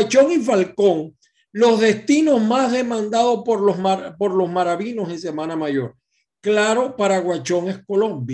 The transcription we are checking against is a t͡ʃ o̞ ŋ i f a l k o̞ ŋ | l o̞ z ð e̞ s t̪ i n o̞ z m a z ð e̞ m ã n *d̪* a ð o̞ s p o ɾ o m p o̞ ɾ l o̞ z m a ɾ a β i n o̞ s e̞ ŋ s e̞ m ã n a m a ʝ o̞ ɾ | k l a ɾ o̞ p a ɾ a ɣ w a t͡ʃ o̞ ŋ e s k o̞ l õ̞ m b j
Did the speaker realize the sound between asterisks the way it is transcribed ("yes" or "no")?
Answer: yes